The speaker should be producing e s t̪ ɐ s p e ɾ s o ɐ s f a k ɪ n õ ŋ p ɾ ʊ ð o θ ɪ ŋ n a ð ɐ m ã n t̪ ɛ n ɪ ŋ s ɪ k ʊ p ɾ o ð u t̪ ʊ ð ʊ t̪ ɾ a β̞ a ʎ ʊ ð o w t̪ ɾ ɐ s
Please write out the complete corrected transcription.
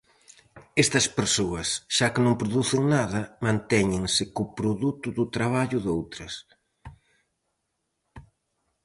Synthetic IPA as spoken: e s t̪ ɐ s p e ɾ s o ɐ s ʃ a k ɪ n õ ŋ p ɾ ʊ ð u θ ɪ ŋ n a ð ɐ m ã n t̪ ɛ ɲ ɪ ŋ s ɪ k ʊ p ɾ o ð u t̪ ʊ ð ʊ t̪ ɾ a β̞ a ʎ ʊ ð o w t̪ ɾ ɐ s